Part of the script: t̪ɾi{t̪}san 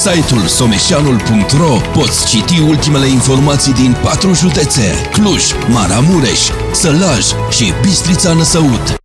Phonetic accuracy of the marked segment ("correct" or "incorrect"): correct